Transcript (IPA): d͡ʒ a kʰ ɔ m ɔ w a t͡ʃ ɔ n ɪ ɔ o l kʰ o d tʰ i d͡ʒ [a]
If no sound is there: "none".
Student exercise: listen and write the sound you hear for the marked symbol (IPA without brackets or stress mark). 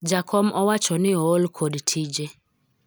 e